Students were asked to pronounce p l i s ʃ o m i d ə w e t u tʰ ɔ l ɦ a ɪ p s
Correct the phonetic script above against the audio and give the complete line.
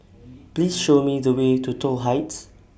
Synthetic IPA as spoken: p l i s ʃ o m i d ə w e t u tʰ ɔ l ɦ a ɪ t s

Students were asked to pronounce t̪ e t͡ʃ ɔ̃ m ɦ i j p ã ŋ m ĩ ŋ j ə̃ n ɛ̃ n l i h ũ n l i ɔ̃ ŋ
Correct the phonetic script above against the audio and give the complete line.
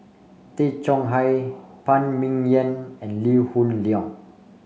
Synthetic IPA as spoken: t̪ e t͡ʃ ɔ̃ ŋ ɦ a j p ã n m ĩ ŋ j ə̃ n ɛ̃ n l i h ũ n l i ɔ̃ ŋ

